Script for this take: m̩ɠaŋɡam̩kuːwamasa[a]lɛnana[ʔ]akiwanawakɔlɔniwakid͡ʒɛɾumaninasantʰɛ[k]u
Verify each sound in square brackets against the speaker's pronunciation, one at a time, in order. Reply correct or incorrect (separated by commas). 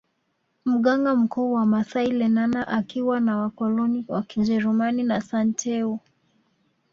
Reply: incorrect, correct, incorrect